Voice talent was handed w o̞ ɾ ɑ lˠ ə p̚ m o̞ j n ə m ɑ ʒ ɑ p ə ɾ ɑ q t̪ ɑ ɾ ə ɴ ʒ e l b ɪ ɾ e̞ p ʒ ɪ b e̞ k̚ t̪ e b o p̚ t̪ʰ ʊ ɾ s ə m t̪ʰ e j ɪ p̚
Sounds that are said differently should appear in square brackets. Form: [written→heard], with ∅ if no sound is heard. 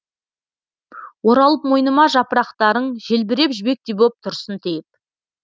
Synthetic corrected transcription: w o̞ ɾ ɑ lˠ ə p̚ m o̞ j n ə m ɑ ʒ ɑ p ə ɾ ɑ q t̪ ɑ ɾ ə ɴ ʒ e l b ɪ ɾ e̞ p ʒ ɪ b e̞ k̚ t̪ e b o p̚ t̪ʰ ʊ ɾ s ə [m→n] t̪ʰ e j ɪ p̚